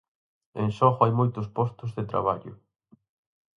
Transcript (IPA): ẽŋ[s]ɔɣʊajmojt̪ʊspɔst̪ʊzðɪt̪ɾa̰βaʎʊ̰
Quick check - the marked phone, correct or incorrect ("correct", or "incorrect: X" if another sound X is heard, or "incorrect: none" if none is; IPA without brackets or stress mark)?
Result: incorrect: ʃ